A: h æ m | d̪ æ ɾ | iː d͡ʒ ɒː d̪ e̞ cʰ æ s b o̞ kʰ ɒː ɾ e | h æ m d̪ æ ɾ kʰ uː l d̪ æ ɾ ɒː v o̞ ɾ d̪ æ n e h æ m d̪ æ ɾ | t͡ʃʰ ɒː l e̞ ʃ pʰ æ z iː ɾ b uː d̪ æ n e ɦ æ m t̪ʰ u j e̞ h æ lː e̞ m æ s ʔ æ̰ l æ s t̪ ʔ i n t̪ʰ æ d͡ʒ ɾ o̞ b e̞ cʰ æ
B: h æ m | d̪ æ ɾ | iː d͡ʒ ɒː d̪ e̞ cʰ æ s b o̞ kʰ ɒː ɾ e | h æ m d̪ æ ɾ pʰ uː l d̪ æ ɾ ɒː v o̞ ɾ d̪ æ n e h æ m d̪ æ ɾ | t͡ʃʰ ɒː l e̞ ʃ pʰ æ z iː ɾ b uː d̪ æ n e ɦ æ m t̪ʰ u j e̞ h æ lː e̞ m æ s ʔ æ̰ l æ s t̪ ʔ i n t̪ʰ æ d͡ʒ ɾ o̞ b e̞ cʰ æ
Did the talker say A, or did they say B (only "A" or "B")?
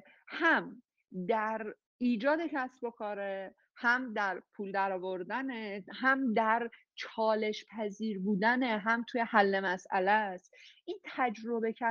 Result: B